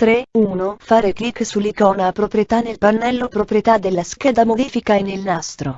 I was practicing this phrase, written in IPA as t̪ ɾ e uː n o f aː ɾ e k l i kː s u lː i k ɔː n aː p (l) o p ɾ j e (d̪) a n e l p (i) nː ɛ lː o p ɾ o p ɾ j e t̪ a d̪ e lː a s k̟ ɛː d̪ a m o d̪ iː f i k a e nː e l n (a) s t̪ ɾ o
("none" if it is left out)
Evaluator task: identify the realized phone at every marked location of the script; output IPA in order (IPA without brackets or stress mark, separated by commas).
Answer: ɾ, t̪, a, a